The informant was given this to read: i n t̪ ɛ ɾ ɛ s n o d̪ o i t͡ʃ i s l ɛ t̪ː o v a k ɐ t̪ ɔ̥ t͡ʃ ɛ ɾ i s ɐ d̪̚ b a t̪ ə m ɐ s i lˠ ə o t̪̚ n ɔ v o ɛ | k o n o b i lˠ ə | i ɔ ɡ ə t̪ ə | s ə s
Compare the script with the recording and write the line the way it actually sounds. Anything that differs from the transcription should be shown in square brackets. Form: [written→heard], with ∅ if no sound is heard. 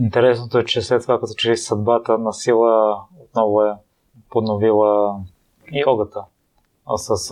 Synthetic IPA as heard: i n t̪ ɛ ɾ ɛ s n o [d̪→t̪] o [i→ɛ] t͡ʃ [i→ɛ] s l ɛ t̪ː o v a k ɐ t̪ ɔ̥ t͡ʃ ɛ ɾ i s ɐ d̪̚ b a t̪ ə [m→n] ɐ s i lˠ ə o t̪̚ n ɔ v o ɛ | [k→p] o n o [b→v] i lˠ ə | i ɔ ɡ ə t̪ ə | s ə s